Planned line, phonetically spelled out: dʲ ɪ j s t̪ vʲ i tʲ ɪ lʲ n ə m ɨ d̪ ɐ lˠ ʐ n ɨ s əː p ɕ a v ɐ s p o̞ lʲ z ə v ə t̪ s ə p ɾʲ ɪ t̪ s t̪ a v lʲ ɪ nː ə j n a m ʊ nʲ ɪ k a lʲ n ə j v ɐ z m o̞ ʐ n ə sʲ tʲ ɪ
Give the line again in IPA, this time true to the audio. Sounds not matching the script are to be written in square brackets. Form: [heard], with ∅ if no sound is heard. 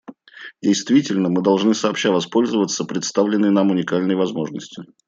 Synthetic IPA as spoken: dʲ ɪ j s t̪ vʲ i tʲ ɪ lʲ n ə m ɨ d̪ ɐ lˠ ʐ n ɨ s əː p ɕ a v ɐ s p o̞ lʲ z ə v ə t̪ s ə p ɾʲ ɪ t̪ s t̪ a v lʲ ɪ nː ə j n a m ʊ nʲ ɪ k a lʲ n ə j v ɐ z m o̞ ʐ n ə sʲ tʲ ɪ